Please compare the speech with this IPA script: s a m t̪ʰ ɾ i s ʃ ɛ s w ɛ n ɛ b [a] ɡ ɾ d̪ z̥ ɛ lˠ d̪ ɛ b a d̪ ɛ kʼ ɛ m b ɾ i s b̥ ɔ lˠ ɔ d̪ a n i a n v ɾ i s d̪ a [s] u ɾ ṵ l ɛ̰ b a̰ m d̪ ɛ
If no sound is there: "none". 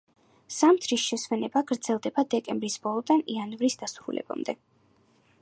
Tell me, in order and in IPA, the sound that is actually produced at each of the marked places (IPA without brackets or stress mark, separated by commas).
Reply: a, s